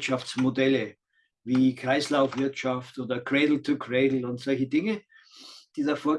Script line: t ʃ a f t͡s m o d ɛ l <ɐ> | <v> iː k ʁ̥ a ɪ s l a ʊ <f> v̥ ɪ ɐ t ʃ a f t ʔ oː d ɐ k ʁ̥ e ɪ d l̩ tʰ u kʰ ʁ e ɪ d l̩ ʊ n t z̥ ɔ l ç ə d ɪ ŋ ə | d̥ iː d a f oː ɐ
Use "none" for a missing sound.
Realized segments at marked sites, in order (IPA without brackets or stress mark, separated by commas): ə, v, f